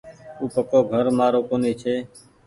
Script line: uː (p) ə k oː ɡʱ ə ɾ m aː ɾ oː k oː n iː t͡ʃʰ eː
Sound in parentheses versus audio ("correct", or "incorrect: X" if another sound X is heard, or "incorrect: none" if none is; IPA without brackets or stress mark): correct